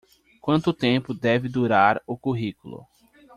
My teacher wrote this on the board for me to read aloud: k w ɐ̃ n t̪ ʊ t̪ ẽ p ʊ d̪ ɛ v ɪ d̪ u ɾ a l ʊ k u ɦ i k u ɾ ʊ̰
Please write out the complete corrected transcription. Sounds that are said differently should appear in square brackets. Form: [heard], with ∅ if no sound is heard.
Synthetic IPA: k w ɐ̃ n t̪ ʊ t̪ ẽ p ʊ d̪ ɛ v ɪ d̪ u ɾ a [ɾ] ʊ k u ɦ i k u [l] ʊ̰